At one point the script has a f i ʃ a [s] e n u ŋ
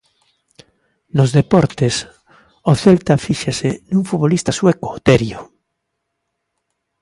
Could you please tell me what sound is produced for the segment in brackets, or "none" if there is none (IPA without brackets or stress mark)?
s